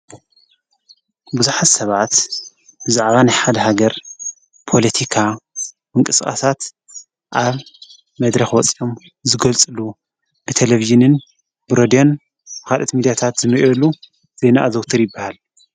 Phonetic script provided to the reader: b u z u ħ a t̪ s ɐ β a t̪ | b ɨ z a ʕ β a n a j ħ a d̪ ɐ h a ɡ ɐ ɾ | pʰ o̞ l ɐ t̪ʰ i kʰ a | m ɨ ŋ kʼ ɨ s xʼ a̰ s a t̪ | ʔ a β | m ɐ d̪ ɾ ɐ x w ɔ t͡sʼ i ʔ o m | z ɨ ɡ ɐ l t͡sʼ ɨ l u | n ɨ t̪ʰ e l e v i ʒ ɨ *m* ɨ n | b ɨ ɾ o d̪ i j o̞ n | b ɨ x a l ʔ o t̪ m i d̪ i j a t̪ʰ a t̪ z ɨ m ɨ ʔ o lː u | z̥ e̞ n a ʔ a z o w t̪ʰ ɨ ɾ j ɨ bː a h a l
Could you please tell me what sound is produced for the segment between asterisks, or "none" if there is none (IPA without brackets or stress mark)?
n